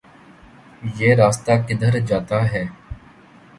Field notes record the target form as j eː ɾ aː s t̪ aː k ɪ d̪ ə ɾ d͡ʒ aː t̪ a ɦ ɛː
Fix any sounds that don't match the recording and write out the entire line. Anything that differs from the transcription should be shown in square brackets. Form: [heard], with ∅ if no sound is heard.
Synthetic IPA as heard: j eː ɾ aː s t̪ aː k ɪ d̪ ə ɾ d͡ʒ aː t̪ a ɦ ɛː